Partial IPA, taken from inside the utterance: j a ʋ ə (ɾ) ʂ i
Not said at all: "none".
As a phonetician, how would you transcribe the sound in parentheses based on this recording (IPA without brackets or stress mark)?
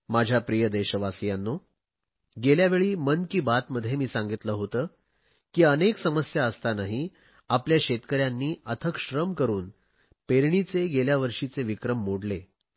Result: ɾ